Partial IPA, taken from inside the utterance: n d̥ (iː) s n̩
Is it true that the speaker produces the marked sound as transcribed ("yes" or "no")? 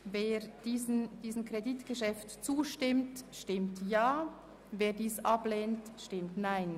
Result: yes